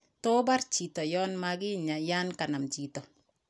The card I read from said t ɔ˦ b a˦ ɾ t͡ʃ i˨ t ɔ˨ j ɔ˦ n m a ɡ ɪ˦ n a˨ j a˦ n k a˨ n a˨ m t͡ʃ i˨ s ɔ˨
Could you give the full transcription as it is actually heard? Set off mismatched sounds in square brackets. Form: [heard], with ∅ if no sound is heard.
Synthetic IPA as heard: t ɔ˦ b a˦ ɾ t͡ʃ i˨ t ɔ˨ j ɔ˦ n m a ɡ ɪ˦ [ɲ] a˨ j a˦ n k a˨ n a˨ m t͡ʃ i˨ [t] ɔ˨